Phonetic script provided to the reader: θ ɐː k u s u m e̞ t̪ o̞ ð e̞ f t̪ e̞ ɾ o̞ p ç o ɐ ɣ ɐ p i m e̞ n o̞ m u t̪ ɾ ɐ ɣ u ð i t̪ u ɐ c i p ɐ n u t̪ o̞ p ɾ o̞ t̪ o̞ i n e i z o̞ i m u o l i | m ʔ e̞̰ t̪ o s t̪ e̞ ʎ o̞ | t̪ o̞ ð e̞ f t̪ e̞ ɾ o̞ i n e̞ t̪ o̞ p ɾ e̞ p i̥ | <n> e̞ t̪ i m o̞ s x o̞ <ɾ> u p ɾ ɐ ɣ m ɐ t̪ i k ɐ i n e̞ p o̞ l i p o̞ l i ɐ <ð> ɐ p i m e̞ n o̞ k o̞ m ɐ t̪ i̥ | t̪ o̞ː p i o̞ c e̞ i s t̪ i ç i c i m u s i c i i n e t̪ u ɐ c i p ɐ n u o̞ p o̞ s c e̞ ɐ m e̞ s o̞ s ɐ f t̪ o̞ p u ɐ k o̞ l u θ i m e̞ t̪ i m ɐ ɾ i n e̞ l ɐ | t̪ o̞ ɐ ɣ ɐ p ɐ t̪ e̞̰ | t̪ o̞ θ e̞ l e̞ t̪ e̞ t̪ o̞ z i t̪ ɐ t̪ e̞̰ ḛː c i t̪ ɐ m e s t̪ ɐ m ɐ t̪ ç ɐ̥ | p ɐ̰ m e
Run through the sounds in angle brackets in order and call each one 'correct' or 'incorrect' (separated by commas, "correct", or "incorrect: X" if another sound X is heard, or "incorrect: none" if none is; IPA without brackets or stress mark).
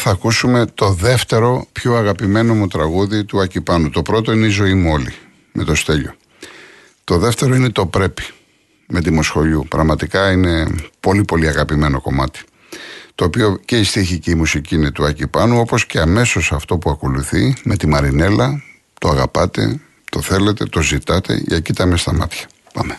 incorrect: m, incorrect: ʎ, incorrect: ɣ